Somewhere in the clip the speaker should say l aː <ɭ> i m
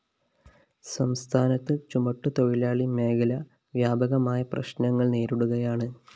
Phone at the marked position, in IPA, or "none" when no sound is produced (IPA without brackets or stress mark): ɭ